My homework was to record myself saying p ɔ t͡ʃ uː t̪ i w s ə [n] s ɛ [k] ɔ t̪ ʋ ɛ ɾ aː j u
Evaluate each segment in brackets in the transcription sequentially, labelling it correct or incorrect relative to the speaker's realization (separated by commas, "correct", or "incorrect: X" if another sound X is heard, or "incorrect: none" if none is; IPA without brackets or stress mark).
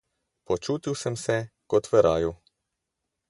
incorrect: m, correct